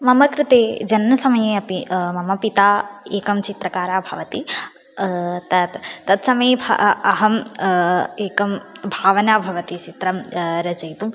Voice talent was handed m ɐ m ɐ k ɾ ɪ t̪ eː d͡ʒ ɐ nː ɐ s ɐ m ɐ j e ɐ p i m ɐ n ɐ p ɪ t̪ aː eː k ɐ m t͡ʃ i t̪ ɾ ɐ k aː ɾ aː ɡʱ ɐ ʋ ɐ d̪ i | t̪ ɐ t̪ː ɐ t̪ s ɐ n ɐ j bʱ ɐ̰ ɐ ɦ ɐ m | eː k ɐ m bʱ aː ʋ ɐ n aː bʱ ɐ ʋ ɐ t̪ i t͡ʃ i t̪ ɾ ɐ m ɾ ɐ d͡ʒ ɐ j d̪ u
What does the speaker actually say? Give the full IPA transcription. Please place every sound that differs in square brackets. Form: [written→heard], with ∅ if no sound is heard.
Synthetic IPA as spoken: m ɐ m ɐ k ɾ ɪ t̪ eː d͡ʒ ɐ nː ɐ s ɐ m ɐ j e ɐ p i m ɐ [n→m] ɐ p [ɪ→i] t̪ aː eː k ɐ m t͡ʃ i t̪ ɾ ɐ k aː ɾ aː [ɡʱ→bʱ] ɐ ʋ ɐ [d̪→t̪] i | t̪ ɐ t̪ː ɐ t̪ s ɐ [n→m] ɐ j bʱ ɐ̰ ɐ ɦ ɐ m | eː k ɐ m bʱ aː ʋ ɐ n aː bʱ ɐ ʋ ɐ t̪ i t͡ʃ i t̪ ɾ ɐ m ɾ ɐ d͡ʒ ɐ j [d̪→t̪] u